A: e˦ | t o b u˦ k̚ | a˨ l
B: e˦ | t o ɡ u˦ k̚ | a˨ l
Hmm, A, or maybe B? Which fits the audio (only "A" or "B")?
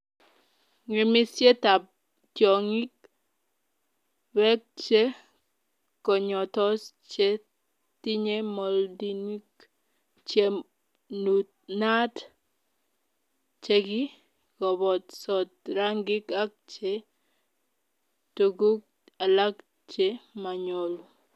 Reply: B